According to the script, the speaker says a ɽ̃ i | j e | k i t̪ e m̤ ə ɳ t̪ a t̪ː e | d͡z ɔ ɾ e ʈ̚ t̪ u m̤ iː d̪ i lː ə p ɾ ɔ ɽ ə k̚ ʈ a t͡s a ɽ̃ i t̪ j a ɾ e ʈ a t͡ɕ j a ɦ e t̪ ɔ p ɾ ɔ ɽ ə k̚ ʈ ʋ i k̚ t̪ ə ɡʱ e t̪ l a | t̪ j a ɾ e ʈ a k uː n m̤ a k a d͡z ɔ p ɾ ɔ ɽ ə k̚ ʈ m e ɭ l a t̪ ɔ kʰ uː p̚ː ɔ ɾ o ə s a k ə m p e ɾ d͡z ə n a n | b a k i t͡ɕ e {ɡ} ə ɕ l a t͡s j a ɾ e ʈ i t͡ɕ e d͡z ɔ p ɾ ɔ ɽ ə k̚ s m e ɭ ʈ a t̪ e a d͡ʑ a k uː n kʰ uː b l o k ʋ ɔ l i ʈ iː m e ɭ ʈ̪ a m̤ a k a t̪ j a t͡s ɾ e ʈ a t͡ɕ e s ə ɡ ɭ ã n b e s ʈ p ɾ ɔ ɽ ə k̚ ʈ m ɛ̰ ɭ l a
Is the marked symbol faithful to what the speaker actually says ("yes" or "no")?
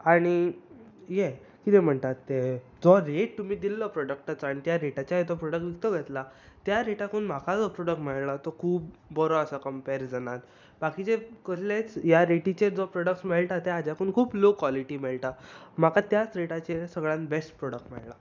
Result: no